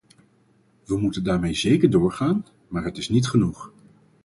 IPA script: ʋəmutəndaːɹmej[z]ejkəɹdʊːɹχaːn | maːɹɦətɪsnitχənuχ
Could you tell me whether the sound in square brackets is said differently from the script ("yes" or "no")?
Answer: no